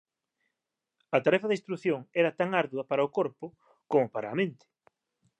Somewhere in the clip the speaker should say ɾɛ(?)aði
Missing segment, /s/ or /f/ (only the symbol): f